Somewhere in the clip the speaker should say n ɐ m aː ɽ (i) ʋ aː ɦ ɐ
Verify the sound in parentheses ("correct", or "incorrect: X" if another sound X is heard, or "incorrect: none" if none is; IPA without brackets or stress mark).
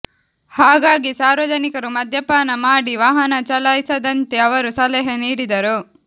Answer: correct